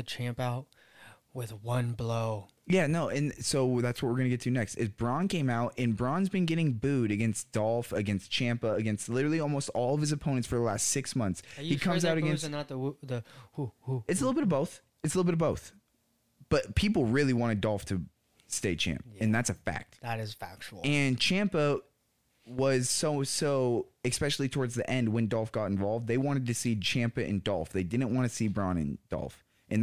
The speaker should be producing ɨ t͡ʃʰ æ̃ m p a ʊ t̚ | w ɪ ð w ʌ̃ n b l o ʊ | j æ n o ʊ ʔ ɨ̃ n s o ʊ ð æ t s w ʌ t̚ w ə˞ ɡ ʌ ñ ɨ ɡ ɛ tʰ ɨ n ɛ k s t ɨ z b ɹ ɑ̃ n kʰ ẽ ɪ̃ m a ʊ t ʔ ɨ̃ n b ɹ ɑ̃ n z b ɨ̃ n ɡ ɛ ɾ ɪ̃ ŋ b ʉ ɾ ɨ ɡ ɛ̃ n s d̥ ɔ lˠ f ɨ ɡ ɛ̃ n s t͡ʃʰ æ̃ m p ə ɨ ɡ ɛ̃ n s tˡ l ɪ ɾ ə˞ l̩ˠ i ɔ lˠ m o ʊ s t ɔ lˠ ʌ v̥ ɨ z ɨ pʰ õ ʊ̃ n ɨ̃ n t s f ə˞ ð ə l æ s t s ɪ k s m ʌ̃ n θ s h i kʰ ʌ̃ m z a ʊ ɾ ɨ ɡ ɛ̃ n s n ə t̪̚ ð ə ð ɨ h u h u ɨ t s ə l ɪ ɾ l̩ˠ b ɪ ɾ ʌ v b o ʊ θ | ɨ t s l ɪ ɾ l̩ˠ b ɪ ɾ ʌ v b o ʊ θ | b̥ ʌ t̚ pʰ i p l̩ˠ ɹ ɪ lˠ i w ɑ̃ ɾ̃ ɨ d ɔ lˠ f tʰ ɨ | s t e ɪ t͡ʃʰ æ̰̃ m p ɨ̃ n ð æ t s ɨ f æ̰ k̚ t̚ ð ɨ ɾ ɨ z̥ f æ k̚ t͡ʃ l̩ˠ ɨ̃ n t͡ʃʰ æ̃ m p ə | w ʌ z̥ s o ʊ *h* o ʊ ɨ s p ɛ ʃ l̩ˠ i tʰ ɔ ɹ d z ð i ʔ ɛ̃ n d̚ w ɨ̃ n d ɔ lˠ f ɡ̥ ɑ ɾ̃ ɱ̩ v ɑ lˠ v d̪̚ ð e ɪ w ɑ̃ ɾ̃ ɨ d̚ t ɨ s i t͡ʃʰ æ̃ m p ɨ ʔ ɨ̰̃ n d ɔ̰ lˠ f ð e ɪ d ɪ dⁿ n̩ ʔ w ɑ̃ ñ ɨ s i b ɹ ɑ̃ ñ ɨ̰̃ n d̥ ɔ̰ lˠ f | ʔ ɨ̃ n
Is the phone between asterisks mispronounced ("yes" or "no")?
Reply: yes